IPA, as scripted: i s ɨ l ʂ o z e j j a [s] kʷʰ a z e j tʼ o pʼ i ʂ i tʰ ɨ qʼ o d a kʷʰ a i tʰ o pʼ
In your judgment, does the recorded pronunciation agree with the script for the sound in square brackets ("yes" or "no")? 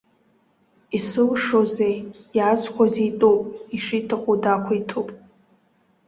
no